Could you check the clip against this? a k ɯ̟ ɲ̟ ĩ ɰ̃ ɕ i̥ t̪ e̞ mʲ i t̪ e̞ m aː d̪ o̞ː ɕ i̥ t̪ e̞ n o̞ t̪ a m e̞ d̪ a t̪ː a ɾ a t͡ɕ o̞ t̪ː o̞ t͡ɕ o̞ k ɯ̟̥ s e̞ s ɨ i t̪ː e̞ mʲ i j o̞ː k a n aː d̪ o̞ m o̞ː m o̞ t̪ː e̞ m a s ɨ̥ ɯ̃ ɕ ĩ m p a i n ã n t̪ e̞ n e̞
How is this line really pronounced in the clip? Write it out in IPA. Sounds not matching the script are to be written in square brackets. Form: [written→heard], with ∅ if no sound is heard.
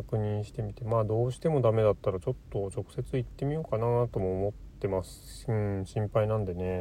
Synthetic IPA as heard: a k ɯ̟ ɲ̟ ĩ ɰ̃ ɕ i̥ t̪ e̞ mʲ i t̪ e̞ m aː d̪ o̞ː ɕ i̥ t̪ e̞ [n→m] o̞ [t̪→d̪] a m e̞ d̪ a t̪ː a ɾ a t͡ɕ o̞ t̪ː o̞ t͡ɕ o̞ k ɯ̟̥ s e̞ [s→t͡s] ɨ i t̪ː e̞ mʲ i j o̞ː k a n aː [d̪→t̪] o̞ m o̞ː m o̞ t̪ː e̞ m a s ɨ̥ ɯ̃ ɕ ĩ m p a i n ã n [t̪→d̪] e̞ n e̞